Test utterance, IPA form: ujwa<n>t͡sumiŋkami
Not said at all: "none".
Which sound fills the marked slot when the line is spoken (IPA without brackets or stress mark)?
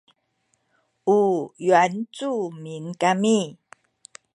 n